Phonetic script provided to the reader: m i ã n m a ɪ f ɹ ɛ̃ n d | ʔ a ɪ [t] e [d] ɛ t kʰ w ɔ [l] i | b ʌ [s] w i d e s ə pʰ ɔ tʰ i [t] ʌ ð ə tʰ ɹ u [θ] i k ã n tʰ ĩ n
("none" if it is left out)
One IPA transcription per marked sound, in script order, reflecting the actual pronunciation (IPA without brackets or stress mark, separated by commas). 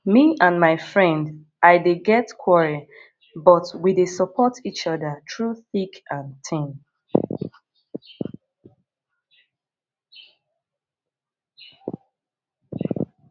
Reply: d, ɡ, ɹ, t, t͡ʃ, θ